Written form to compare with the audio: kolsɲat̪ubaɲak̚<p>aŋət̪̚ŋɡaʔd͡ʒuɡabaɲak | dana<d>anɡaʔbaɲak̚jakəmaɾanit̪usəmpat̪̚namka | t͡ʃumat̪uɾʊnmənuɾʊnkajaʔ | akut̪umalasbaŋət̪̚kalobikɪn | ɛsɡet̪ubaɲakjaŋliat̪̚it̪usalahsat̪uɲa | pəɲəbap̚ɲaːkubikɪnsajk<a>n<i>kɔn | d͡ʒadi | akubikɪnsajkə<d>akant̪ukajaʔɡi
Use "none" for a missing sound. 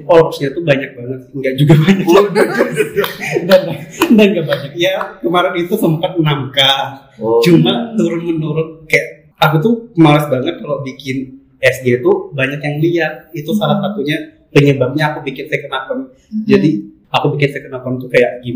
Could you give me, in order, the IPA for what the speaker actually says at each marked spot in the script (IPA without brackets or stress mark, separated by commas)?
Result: b, d, ə, a, n